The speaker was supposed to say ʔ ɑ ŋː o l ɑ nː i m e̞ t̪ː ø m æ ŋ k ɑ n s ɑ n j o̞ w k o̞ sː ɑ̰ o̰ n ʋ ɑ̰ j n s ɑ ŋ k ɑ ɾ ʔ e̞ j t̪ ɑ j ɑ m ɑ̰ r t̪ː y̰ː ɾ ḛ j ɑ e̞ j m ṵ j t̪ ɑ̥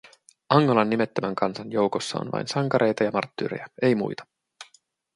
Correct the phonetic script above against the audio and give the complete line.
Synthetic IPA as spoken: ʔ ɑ ŋː o l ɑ nː i m e̞ t̪ː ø m æ ŋ k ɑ n s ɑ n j o̞ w k o̞ sː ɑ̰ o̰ n ʋ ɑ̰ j n s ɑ ŋ k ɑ ɾ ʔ e̞ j t̪ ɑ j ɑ m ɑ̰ r t̪ː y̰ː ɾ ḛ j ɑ e̞ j m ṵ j t̪ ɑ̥